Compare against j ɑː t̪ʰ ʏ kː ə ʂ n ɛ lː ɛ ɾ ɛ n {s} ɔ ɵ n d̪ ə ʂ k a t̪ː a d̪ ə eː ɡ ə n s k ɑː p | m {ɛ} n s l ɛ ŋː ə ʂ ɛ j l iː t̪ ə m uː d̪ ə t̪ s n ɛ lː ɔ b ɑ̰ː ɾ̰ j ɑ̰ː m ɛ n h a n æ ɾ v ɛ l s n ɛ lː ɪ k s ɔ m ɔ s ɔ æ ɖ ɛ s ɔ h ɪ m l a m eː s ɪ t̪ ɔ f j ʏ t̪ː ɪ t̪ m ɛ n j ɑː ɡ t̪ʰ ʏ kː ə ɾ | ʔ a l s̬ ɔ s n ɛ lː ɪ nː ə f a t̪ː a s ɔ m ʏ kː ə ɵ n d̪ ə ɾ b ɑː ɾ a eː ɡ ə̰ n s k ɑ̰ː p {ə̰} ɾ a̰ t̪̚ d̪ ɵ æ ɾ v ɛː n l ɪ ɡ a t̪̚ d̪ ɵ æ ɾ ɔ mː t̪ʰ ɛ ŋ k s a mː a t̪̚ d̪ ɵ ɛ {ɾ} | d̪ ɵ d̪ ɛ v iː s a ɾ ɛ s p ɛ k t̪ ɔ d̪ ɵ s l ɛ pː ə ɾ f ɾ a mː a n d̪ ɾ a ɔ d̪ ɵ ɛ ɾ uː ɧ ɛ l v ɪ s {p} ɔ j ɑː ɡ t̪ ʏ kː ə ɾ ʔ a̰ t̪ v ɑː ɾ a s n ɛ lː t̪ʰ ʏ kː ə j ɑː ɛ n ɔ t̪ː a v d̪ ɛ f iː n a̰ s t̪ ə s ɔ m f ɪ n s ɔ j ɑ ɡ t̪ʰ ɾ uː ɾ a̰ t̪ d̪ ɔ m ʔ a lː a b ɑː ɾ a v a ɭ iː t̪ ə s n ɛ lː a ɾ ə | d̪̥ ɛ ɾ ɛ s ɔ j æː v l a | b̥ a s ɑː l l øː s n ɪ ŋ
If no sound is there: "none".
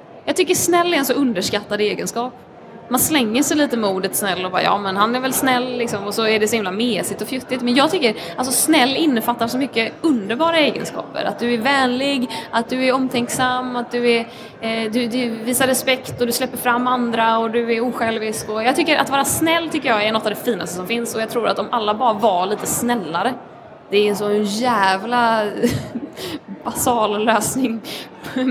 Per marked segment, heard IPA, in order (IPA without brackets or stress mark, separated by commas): s, a, ə̰, ɾ, k